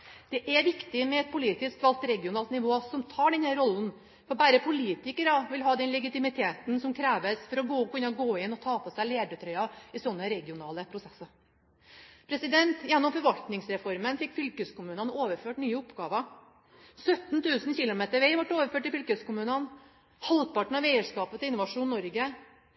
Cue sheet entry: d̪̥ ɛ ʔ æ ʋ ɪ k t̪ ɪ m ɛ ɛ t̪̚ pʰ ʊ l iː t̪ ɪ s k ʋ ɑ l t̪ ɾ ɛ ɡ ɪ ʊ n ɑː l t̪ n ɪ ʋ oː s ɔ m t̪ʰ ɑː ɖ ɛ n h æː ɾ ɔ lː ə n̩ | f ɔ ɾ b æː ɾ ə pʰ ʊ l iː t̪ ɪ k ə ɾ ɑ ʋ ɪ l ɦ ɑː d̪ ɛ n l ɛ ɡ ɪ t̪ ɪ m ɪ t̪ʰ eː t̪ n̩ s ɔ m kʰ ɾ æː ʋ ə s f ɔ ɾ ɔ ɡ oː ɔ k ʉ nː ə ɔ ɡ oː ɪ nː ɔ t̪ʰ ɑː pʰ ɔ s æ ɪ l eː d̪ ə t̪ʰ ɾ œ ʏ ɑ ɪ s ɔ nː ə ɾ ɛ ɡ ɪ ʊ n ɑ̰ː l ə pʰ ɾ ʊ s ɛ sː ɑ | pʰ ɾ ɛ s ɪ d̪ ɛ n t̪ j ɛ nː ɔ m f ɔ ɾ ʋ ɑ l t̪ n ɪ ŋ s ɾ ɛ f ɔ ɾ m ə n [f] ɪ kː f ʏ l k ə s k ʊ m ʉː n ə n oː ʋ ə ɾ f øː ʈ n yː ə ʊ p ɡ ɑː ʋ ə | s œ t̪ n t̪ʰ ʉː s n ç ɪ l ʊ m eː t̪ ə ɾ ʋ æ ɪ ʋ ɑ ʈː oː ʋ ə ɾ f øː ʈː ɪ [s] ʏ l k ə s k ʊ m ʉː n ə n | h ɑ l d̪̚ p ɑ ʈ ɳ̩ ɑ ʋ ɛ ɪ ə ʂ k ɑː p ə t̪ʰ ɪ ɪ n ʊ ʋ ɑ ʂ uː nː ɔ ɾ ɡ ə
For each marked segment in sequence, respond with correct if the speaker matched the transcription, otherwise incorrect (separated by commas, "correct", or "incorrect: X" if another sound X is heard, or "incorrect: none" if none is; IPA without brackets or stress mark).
correct, incorrect: f